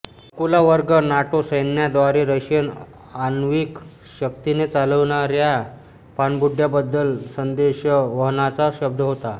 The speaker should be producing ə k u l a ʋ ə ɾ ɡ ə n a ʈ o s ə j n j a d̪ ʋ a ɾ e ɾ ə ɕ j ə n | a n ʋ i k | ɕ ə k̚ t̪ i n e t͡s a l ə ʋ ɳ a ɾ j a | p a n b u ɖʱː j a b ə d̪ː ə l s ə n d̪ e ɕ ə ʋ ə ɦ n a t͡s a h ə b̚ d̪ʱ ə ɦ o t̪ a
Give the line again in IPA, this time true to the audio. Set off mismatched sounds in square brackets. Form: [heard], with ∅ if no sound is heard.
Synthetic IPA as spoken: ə k u l a ʋ ə ɾ ɡ ə n a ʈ o s ə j n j a d̪ ʋ a ɾ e ɾ ə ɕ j ə n | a n ʋ i k | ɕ ə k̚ t̪ i n e t͡s a l ə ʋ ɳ a ɾ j a | p a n b u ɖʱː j a b ə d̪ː ə l s ə n d̪ e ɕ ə ʋ ə ɦ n a t͡s a [ɕ] ə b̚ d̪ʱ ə ɦ o t̪ a

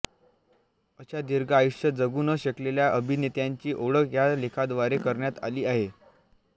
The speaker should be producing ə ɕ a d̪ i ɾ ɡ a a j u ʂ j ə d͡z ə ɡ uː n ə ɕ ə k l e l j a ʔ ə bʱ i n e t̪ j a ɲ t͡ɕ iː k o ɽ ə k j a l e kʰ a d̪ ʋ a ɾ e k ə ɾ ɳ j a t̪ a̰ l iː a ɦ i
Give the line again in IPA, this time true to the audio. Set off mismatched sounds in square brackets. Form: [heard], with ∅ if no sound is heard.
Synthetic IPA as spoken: ə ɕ a d̪ i ɾ ɡ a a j u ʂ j ə d͡z ə ɡ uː n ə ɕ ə k l e l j a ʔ ə bʱ i n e t̪ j a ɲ t͡ɕ iː [ʔ] o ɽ ə k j a l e kʰ a d̪ ʋ a ɾ e k ə ɾ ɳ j a t̪ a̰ l iː a ɦ [e]

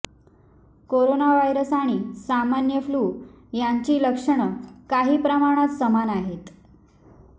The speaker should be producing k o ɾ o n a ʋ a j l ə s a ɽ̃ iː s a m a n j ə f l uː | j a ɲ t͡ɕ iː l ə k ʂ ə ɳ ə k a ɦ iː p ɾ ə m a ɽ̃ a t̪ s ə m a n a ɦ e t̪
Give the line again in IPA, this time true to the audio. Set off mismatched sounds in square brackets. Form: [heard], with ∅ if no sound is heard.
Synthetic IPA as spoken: k o ɾ o n a ʋ a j [ɾ] ə s a ɽ̃ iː s a m a n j ə f l uː | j a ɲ t͡ɕ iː l ə k ʂ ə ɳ ə k a ɦ iː p ɾ ə m a ɽ̃ a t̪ s ə m a n a ɦ e t̪

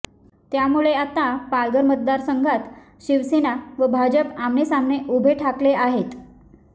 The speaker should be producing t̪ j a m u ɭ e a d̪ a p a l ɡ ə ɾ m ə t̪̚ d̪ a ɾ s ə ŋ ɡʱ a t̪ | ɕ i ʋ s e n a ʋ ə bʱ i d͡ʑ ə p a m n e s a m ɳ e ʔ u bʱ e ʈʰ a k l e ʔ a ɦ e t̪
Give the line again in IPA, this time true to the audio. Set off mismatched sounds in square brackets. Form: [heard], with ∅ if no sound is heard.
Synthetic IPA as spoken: t̪ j a m u ɭ e a [t̪] a p a l ɡ ə ɾ m ə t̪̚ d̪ a ɾ s ə ŋ ɡʱ a t̪ | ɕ i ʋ s e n a ʋ ə bʱ [a] d͡ʑ ə p a m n e s a m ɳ e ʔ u bʱ e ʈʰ a k l e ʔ a ɦ e t̪

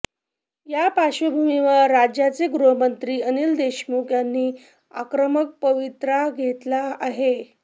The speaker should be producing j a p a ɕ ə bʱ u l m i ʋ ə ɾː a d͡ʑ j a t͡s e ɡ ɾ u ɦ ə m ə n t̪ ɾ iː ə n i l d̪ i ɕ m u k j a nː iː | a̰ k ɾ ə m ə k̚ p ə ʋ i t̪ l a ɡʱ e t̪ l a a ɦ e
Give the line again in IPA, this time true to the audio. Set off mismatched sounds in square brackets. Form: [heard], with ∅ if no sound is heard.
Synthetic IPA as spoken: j a p a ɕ ə bʱ u [∅] m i ʋ ə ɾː a d͡ʑ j a t͡s e ɡ ɾ u ɦ ə m ə n t̪ ɾ iː ə n i l d̪ [e] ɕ m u k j a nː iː | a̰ k ɾ ə m ə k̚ p ə ʋ i t̪ [ɾ] a ɡʱ e t̪ l a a ɦ e

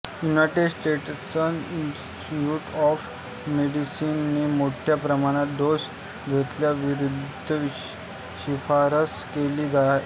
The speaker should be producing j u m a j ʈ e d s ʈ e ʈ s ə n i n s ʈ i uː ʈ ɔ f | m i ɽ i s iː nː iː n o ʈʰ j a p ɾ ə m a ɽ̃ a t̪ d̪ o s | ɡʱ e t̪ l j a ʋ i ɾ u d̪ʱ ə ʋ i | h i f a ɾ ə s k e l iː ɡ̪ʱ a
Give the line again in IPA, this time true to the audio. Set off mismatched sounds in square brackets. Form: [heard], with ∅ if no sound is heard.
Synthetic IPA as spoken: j u [n] a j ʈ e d s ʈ e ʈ s ə n i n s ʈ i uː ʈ ɔ f | m [e] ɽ i s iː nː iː [m] o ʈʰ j a p ɾ ə m a ɽ̃ a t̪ d̪ o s | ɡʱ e t̪ l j a ʋ i ɾ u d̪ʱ ə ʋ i | [ɕ] i f a ɾ ə s k e l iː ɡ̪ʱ a

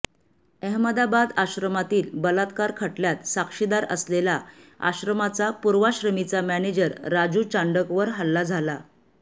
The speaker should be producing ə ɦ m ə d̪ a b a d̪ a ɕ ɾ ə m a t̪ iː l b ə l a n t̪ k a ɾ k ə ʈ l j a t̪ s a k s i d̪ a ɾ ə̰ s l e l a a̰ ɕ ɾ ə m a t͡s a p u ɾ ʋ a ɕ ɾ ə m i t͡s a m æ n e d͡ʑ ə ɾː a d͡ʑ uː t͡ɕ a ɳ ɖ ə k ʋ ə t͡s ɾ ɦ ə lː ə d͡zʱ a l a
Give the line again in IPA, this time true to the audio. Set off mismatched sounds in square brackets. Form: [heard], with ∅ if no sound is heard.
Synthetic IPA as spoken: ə ɦ m ə d̪ a b a d̪ a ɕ ɾ ə m a t̪ iː l b ə l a [∅] t̪ k a ɾ [kʰ] ə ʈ l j a t̪ s a k [ʂ] i d̪ a ɾ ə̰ s l e l a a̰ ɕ ɾ ə m a t͡s a p u ɾ ʋ a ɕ ɾ ə m i t͡s a m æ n e d͡ʑ ə ɾː a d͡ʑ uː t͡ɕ a ɳ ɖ ə k ʋ ə [∅] ɾ ɦ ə lː [a] d͡zʱ a l a

